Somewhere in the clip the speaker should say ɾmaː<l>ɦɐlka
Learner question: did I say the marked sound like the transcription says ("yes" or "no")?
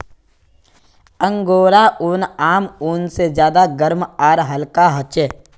no